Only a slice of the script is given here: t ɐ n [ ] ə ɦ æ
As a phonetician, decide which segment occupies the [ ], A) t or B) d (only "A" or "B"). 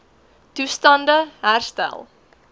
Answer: B